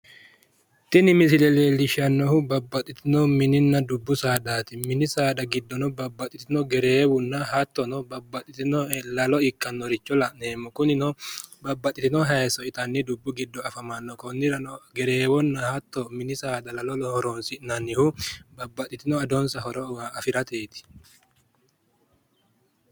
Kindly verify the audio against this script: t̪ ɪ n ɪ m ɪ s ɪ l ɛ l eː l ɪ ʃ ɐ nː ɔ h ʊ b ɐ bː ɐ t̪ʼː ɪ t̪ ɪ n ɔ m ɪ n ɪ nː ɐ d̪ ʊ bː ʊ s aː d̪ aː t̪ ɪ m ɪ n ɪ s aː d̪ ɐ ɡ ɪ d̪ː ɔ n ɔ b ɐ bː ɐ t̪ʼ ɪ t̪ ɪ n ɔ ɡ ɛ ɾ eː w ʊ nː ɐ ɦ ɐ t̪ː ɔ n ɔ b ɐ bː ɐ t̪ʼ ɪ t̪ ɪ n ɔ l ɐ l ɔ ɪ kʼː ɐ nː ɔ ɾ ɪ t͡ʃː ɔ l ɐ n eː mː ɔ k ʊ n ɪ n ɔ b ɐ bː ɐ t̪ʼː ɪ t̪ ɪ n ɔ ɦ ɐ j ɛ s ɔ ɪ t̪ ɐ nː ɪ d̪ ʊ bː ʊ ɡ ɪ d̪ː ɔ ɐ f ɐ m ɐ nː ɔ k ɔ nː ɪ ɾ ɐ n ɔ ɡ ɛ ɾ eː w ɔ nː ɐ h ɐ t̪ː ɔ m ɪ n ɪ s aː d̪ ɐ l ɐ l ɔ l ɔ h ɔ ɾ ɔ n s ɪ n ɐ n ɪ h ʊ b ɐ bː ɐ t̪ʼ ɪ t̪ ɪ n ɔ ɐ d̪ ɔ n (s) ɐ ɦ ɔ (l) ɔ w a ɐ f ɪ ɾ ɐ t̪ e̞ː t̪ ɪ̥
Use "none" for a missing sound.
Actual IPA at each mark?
s, ɾ

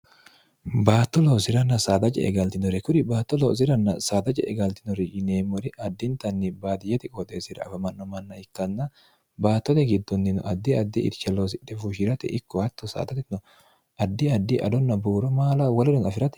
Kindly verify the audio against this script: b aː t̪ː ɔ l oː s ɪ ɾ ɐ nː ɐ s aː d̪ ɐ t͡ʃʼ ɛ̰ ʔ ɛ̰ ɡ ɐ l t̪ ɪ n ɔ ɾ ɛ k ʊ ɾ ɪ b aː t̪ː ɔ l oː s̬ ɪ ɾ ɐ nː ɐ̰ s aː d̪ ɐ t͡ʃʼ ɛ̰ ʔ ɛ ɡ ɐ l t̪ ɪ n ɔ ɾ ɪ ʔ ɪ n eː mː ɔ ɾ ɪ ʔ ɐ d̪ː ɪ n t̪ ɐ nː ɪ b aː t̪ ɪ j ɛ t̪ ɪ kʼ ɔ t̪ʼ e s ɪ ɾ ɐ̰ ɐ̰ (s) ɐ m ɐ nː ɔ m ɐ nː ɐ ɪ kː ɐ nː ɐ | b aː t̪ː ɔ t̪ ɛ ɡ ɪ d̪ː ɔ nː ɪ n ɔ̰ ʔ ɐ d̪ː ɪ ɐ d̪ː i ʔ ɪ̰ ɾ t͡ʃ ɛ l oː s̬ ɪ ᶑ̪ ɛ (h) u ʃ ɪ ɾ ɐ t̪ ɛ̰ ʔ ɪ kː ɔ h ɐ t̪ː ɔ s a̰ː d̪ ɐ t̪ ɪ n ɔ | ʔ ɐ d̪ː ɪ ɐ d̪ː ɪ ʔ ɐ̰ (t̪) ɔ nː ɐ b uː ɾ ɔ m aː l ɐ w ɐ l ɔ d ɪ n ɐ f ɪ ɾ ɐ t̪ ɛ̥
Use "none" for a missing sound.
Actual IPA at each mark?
f, f, d̪

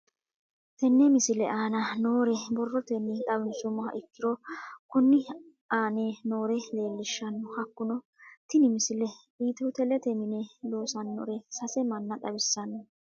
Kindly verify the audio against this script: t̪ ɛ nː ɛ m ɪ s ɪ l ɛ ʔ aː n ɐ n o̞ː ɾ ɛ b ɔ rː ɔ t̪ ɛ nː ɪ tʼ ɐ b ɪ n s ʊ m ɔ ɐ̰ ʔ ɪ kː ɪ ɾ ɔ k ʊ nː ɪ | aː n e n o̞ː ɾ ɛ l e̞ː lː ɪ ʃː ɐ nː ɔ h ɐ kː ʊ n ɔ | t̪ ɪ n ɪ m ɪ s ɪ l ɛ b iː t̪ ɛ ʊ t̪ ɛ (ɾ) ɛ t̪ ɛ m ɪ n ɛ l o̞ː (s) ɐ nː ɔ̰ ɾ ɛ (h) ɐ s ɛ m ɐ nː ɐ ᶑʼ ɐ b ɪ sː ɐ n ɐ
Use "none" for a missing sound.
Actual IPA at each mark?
l, s, s

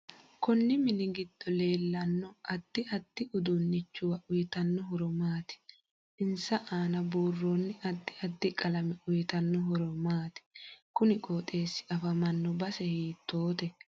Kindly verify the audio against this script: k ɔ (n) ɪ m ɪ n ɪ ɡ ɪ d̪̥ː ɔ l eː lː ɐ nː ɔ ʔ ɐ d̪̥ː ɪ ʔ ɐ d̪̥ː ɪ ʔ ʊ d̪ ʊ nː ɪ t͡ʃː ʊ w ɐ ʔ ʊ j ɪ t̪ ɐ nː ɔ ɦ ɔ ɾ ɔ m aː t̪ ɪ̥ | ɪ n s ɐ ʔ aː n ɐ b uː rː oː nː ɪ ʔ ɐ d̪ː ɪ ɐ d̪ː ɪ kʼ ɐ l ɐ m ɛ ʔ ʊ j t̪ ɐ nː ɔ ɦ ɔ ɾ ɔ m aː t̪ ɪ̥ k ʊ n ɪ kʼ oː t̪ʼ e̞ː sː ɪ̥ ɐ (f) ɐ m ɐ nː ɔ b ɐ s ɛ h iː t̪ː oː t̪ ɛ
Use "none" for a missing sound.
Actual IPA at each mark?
nː, f

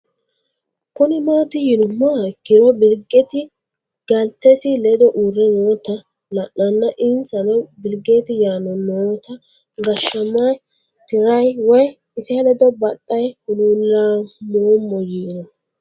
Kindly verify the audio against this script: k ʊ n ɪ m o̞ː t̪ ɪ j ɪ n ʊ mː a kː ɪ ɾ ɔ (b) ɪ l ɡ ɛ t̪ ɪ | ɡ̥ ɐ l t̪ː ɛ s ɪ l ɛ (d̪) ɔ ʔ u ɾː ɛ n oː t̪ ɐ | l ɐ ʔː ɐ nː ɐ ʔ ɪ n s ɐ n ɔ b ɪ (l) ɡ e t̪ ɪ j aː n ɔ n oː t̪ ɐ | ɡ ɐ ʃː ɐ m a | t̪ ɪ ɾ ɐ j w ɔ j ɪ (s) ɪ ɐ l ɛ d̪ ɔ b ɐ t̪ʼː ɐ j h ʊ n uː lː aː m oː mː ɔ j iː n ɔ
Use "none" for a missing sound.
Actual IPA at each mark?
b, d̪, l, s

